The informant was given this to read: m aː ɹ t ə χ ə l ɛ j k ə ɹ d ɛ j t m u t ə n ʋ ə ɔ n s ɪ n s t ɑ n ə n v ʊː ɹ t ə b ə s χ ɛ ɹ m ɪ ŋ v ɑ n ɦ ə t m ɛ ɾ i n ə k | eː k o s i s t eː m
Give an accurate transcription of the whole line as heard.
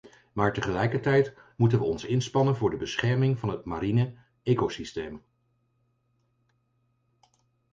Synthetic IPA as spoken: m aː ɹ t ə χ ə l ɛ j k ə ɹ t ɛ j t m u t ə n ʋ ə ɔ n s ɪ n s p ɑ n ə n v ʊː ɹ d ə b ə s χ ɛ ɹ m ɪ ŋ v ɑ n ɦ ə t m a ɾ i n ə | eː k o s i s t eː m

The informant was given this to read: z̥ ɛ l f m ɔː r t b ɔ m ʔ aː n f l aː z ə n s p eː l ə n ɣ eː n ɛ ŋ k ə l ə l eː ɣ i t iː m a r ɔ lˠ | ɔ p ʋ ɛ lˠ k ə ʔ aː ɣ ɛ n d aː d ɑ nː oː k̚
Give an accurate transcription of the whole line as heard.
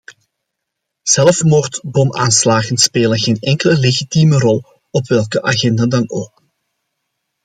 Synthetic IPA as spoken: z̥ ɛ l f m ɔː r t b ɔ m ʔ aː n s l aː ɣ ə n s p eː l ə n ɣ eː n ɛ ŋ k ə l ə l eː ɣ i t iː m ə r ɔ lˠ | ɔ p ʋ ɛ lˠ k ə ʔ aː ɣ ɛ n d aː d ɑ n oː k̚

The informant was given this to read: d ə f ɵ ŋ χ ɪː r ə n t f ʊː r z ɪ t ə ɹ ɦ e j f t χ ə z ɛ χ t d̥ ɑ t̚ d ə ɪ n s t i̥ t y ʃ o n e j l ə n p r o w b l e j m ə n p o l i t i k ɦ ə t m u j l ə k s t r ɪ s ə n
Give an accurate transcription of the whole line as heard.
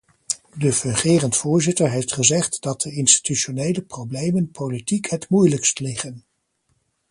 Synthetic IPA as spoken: d ə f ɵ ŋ χ ɪː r ə n t f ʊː ɹ z ɪ t ə ɹ ɦ e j f t χ ə z ɛ χ t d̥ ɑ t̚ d ə ɪ n s t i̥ t y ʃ o n e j l ə p r o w b l e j m ə n p o l i t i k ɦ ə t m u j l ə k s t l ɪ χ ə n

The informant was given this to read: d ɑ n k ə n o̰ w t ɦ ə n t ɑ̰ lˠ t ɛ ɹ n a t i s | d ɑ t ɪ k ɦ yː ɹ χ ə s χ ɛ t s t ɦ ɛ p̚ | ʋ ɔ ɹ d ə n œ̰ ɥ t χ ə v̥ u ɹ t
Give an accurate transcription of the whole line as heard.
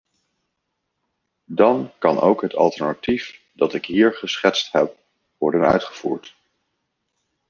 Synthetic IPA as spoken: d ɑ n k ɑ n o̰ w k ɦ ə t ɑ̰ lˠ t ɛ ɹ n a t i f | d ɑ t ɪ k ɦ iː ɹ χ ə s χ ɛ t s t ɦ ɛ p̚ | ʋ ɔ ɹ d ə n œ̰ ɥ t χ ə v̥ uː ɹ t

